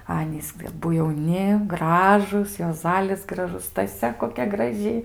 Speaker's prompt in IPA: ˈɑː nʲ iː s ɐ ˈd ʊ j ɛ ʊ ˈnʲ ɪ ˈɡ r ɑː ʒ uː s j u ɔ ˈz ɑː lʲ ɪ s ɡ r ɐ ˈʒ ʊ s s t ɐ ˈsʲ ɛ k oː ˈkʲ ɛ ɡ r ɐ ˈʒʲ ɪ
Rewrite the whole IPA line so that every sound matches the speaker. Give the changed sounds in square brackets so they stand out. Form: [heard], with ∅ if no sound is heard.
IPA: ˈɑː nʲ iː s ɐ [ˈb] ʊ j ɛ ʊ ˈnʲ ɪ ˈɡ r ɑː ʒ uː s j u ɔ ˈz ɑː lʲ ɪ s ɡ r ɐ ˈʒ ʊ s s t ɐ ˈsʲ ɛ k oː ˈkʲ ɛ ɡ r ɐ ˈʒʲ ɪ